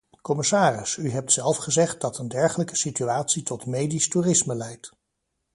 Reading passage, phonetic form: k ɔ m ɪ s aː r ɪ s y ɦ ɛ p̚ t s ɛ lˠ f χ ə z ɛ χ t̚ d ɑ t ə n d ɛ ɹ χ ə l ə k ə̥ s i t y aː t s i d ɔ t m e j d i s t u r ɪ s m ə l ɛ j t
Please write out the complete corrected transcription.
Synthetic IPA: k ɔ m ɪ s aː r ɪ s y ɦ ɛ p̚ t s ɛ lˠ f χ ə z ɛ χ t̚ d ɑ t ə n d ɛ ɹ χ ə l ə k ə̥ s i t y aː t s i t ɔ t m e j d i s t u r ɪ s m ə l ɛ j t